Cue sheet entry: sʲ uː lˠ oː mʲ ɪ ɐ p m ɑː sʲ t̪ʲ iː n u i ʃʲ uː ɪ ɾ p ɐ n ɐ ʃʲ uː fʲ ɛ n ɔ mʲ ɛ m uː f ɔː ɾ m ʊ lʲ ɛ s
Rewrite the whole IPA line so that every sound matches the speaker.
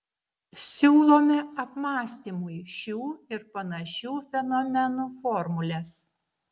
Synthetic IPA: sʲ uː lˠ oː mʲ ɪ ɐ p m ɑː sʲ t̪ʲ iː m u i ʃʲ uː ɪ ɾ p ɐ n ɐ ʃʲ uː fʲ ɛ n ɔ mʲ ɛ n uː f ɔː ɾ m ʊ lʲ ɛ s